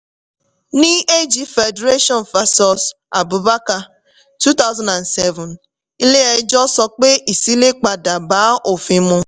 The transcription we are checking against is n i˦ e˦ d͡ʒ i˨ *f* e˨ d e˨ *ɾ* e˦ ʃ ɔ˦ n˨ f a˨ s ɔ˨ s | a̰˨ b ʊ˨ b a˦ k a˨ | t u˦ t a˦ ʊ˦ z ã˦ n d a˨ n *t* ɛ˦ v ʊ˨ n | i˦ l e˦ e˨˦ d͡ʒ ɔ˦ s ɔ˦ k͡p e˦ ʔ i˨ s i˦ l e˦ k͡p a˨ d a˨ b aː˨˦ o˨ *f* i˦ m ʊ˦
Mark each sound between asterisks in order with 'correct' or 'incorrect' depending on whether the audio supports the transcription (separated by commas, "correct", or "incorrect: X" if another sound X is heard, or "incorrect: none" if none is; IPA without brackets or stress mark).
correct, correct, incorrect: s, correct